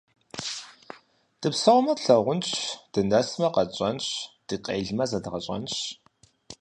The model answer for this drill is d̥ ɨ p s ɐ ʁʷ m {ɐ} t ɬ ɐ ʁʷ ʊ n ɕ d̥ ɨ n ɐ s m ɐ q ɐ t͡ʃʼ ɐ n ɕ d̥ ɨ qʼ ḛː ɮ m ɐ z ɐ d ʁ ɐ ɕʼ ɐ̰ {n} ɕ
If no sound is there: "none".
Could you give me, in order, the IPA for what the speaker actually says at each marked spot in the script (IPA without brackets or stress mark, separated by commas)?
ɐ, n